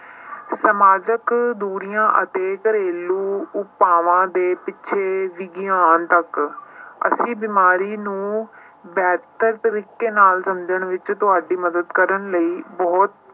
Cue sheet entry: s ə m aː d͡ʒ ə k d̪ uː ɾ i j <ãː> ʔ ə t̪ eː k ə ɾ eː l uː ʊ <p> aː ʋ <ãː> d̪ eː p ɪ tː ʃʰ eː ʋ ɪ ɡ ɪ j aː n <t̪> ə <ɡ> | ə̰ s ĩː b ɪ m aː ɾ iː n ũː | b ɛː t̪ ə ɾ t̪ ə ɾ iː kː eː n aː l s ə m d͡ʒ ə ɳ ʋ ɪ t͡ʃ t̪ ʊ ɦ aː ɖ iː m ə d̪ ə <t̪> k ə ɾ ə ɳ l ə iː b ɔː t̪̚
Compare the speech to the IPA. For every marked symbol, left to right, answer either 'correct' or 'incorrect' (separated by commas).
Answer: correct, correct, correct, correct, incorrect, incorrect